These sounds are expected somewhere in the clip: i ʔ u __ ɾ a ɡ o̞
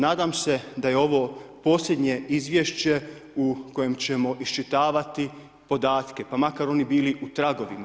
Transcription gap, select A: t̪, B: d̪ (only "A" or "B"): A